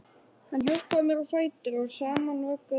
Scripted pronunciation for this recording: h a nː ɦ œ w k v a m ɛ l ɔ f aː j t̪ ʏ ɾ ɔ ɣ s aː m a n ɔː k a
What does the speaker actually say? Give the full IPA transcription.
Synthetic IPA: h a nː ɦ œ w k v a m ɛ ɾ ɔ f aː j t̪ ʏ ɾ ɔ ɣ s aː m a n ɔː k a